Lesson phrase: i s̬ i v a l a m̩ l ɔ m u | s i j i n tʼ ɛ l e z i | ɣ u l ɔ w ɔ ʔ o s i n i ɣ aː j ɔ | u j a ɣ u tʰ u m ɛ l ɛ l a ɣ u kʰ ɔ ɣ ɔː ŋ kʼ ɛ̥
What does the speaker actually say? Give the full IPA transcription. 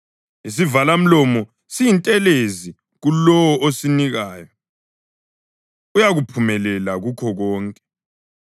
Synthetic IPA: i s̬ i v a l a m̩ l ɔ m ɔ | s i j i n tʼ ɛ l e z i | ɣ u l ɔ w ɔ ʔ o s i n i ɣ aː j ɔ | u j a ɣ u pʰ u m ɛ l ɛ l a ɣ u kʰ ɔ ɣ ɔː ŋ kʼ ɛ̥